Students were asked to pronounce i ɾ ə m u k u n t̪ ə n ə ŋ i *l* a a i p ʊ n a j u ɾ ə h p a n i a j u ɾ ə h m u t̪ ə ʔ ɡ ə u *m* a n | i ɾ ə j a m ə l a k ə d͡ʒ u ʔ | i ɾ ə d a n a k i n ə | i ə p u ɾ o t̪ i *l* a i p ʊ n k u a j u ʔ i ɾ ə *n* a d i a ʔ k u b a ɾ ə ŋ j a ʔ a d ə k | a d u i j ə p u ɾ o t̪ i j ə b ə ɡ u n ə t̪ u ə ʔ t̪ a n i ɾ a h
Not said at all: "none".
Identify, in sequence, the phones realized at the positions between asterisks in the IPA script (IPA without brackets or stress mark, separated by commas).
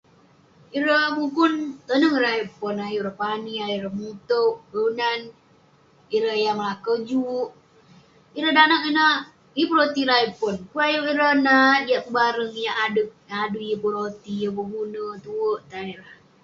ɾ, n, ɾ, n